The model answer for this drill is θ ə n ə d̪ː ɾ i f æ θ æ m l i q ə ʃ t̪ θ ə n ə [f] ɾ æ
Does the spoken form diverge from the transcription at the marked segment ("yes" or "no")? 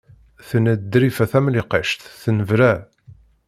yes